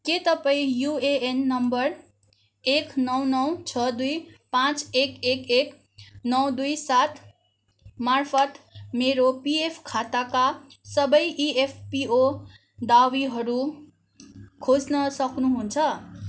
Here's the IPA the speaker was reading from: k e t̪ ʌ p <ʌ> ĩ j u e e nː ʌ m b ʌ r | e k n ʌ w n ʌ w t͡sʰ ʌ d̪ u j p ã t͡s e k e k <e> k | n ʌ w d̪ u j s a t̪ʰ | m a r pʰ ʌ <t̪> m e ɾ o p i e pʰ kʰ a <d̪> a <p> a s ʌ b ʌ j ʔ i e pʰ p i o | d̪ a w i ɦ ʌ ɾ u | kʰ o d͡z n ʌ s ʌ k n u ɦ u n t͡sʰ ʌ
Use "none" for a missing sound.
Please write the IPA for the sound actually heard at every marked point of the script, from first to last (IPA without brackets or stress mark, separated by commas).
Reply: a, e, t̪, t̪, k